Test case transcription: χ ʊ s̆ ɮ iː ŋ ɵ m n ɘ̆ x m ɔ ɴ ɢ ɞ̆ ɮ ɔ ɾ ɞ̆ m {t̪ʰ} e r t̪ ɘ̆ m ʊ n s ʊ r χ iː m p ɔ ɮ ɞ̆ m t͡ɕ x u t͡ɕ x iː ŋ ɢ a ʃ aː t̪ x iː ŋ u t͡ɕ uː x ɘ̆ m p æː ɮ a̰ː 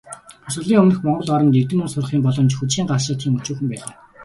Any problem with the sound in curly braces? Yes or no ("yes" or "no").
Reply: yes